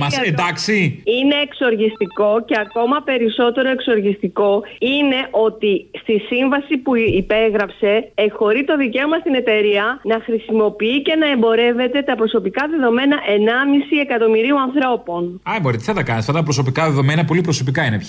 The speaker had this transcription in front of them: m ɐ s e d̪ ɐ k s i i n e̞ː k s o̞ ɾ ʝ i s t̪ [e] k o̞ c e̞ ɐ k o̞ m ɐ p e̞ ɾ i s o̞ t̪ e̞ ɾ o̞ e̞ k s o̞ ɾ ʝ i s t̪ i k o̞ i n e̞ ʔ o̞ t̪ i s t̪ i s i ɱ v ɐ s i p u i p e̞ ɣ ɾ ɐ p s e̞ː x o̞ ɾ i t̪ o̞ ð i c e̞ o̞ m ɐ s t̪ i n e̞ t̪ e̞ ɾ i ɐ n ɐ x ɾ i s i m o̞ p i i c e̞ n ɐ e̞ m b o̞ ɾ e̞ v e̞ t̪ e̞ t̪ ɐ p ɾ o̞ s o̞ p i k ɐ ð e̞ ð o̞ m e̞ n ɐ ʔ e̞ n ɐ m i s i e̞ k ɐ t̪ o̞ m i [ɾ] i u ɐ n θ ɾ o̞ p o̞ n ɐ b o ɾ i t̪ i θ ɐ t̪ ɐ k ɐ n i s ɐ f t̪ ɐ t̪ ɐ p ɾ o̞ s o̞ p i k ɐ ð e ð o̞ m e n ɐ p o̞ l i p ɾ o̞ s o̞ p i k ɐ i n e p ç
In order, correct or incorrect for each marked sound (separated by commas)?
incorrect, correct